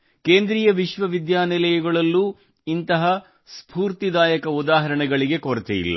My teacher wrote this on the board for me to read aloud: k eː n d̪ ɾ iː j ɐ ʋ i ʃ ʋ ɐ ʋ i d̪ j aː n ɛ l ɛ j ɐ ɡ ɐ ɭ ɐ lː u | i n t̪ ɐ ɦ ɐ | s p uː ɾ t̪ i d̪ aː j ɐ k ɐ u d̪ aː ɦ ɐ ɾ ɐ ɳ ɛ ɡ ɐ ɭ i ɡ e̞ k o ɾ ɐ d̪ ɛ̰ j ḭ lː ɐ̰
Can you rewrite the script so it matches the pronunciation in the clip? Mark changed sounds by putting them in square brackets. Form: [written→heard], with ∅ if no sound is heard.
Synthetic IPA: k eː n d̪ ɾ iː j ɐ ʋ i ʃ ʋ ɐ ʋ i d̪ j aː n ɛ l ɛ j ɐ ɡ ɐ ɭ ɐ lː u | i n t̪ ɐ ɦ ɐ | s p uː ɾ t̪ i d̪ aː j ɐ k ɐ u d̪ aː ɦ ɐ ɾ ɐ ɳ ɛ ɡ ɐ ɭ i ɡ e̞ k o ɾ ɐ [d̪→t̪] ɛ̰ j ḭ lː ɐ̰

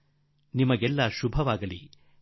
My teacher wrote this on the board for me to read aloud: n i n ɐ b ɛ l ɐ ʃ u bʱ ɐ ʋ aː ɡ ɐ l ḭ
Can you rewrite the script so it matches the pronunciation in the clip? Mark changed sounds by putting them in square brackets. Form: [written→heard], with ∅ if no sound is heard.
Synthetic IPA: n i [n→m] ɐ [b→ɡ] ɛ [l→lː] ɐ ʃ u bʱ ɐ ʋ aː ɡ ɐ l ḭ

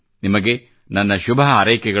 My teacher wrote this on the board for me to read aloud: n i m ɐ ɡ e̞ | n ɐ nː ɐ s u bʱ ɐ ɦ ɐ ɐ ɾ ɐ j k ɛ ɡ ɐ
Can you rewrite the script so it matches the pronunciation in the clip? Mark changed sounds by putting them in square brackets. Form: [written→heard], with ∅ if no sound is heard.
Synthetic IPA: n i m ɐ ɡ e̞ | n ɐ nː ɐ [s→ʃ] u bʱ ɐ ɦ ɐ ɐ ɾ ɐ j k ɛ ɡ ɐ

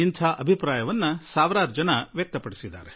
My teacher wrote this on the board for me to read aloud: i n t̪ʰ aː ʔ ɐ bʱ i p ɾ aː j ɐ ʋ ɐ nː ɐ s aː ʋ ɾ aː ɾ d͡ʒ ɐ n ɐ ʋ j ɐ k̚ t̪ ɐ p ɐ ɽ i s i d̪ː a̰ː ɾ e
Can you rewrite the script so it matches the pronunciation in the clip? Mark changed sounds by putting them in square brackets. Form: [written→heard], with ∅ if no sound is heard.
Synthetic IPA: i n t̪ʰ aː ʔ ɐ bʱ i p ɾ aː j ɐ ʋ ɐ nː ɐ s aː ʋ ɾ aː ɾ d͡ʒ ɐ n ɐ ʋ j ɐ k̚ t̪ ɐ p ɐ ɽ i s i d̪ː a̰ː ɾ e

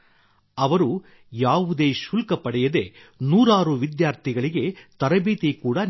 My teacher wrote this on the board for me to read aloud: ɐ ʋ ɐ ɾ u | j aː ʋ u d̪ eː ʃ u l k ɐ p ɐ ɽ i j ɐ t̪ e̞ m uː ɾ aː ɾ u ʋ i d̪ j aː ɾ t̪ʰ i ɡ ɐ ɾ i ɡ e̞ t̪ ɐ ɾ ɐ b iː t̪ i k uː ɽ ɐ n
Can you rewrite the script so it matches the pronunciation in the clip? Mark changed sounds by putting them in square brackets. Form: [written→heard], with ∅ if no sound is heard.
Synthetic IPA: ɐ ʋ ɐ ɾ u | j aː ʋ u d̪ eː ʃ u l k ɐ p ɐ ɽ [i→ɛ] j ɐ [t̪→d̪] e̞ [m→n] uː ɾ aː ɾ u ʋ i d̪ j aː ɾ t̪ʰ i ɡ ɐ [ɾ→ɭ] i ɡ e̞ t̪ ɐ ɾ ɐ b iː t̪ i k uː ɽ ɐ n

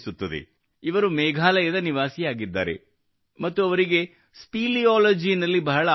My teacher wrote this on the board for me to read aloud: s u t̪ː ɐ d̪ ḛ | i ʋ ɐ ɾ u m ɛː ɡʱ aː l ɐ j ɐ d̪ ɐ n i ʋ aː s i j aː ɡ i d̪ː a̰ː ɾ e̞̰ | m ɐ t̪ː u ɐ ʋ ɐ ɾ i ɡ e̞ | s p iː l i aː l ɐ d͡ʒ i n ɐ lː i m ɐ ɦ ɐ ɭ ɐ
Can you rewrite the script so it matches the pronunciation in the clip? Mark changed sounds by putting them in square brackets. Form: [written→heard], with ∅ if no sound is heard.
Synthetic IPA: s u t̪ː ɐ d̪ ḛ | i ʋ ɐ ɾ u m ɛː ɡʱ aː l ɐ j ɐ d̪ ɐ n i ʋ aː s i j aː ɡ i d̪ː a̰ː ɾ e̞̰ | m ɐ t̪ː u ɐ ʋ ɐ ɾ i ɡ e̞ | s p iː l i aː l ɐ d͡ʒ i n ɐ lː i [m→b] ɐ ɦ ɐ ɭ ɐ

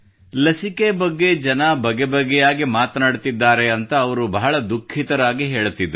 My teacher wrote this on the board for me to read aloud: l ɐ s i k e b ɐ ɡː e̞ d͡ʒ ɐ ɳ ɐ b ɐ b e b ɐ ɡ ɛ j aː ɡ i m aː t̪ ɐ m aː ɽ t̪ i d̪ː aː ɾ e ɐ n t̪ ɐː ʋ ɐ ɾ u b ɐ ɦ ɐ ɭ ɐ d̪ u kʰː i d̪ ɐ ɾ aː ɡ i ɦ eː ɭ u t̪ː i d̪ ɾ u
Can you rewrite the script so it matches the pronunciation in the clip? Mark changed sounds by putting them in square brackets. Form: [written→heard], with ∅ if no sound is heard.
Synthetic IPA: l ɐ s i k e b ɐ ɡː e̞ d͡ʒ ɐ [ɳ→n] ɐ b ɐ [b→ɡ] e b ɐ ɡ ɛ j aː ɡ i m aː t̪ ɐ [m→n] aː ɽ t̪ i d̪ː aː ɾ e ɐ n t̪ ɐː ʋ ɐ ɾ u b ɐ ɦ ɐ ɭ ɐ d̪ u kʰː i [d̪→t̪] ɐ ɾ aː ɡ i ɦ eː ɭ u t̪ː i d̪ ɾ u

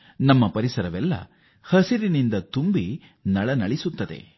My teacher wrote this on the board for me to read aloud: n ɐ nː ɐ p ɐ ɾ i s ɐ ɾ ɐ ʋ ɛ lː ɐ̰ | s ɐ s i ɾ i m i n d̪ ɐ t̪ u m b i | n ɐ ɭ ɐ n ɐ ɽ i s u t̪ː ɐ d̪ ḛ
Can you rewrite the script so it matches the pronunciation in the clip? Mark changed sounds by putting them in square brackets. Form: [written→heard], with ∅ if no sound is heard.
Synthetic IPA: n ɐ [nː→mː] ɐ p ɐ ɾ i s ɐ ɾ ɐ ʋ ɛ lː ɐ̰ | [s→h] ɐ s i ɾ i [m→n] i n d̪ ɐ t̪ u m b i | n ɐ ɭ ɐ n ɐ [ɽ→ɭ] i s u t̪ː ɐ d̪ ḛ

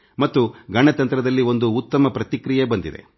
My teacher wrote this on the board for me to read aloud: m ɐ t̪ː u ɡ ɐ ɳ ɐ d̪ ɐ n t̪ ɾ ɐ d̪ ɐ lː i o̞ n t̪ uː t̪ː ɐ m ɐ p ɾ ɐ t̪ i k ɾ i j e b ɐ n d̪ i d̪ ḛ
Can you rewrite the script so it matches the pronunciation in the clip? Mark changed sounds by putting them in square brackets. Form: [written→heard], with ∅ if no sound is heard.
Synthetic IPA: m ɐ t̪ː u ɡ ɐ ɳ ɐ [d̪→t̪] ɐ n t̪ ɾ ɐ d̪ ɐ lː i o̞ n [t̪→d̪] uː t̪ː ɐ m ɐ p ɾ ɐ t̪ i k ɾ i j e b ɐ n d̪ i d̪ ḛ

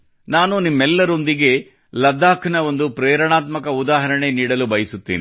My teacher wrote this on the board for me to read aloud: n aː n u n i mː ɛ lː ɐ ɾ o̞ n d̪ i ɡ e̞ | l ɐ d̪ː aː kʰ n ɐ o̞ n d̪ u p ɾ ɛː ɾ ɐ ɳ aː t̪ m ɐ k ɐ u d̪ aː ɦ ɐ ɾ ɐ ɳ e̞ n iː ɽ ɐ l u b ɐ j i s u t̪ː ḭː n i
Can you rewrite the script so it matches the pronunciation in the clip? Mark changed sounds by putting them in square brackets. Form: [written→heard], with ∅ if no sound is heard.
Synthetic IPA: n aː n u n i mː ɛ lː ɐ ɾ o̞ n d̪ i ɡ e̞ | l ɐ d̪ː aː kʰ n ɐ o̞ n d̪ u p ɾ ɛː ɾ ɐ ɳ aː t̪ m ɐ k ɐ u d̪ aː ɦ ɐ ɾ ɐ ɳ e̞ n iː ɽ ɐ l u b ɐ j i s u t̪ː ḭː n i

